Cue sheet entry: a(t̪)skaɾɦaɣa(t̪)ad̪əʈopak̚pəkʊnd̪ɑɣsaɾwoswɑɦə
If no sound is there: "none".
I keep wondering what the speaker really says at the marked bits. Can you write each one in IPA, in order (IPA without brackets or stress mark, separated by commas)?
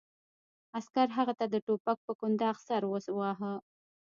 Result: none, t̪